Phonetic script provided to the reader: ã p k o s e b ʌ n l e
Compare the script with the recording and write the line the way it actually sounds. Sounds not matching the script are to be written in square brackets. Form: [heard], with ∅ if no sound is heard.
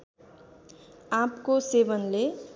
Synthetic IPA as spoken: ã p k o s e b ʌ n l e